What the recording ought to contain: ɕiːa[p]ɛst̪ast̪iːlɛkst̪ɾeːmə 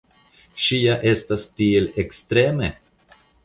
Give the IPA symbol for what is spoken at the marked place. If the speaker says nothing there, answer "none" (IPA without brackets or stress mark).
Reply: ʔ